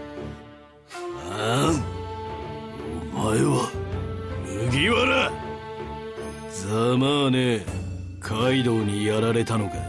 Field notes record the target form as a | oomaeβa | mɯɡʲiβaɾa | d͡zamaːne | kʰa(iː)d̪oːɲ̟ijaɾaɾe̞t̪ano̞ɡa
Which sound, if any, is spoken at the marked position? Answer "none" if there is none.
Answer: i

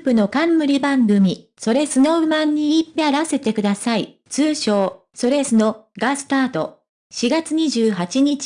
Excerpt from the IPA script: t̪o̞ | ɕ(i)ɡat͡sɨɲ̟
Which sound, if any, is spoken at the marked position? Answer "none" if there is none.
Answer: i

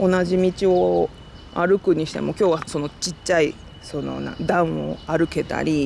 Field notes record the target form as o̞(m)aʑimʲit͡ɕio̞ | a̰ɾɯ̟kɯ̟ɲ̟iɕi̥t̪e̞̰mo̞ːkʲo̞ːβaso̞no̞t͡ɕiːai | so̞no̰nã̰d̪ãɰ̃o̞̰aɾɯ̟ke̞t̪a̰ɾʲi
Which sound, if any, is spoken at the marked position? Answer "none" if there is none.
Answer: n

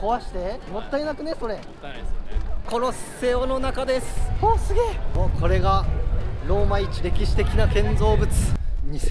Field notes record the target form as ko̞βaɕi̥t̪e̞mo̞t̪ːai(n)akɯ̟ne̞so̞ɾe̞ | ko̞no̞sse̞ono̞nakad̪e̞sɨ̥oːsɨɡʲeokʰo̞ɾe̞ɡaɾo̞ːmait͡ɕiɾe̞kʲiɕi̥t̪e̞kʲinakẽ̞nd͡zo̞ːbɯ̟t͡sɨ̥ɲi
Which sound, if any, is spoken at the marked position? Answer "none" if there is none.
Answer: n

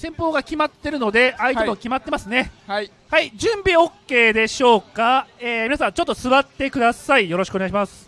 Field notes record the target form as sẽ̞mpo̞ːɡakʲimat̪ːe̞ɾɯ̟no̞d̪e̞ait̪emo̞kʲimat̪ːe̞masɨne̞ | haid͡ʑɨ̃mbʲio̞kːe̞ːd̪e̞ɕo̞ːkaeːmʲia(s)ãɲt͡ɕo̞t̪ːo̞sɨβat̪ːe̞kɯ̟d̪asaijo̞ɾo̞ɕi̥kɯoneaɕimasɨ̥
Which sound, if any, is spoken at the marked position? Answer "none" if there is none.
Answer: s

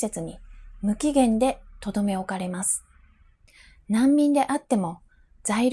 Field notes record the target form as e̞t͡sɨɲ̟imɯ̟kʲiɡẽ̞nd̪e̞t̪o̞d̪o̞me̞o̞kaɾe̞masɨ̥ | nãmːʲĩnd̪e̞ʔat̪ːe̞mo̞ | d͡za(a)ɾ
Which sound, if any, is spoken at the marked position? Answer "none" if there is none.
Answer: i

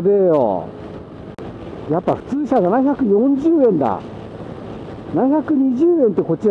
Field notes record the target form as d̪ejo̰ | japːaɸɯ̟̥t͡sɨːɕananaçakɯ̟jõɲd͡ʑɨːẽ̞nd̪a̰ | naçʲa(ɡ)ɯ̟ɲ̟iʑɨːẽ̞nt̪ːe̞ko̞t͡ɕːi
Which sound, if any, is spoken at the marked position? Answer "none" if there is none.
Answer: k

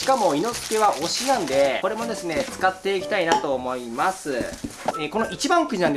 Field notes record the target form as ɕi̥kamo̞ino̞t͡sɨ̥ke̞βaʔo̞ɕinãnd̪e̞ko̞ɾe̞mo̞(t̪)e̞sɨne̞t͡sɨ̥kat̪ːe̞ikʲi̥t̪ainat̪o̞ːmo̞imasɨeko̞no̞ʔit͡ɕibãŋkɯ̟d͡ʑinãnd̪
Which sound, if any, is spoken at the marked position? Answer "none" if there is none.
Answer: d̪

